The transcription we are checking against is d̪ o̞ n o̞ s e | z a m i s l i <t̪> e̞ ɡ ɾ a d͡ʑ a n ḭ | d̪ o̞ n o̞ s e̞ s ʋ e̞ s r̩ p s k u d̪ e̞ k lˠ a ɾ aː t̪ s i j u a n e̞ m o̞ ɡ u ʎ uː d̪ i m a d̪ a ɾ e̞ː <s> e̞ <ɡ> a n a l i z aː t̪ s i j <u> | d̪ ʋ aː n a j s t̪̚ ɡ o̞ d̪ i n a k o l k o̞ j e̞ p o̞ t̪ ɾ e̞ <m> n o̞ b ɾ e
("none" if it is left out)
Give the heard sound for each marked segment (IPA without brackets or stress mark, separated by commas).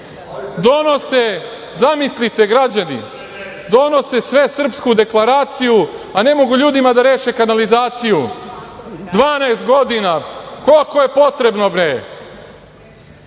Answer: t̪, ʃ, k, u, b